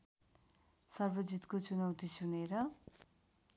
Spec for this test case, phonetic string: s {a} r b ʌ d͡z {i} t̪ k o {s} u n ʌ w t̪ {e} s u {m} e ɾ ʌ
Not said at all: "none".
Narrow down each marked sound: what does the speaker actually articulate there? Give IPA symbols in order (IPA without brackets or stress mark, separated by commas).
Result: ʌ, i, t͡s, i, n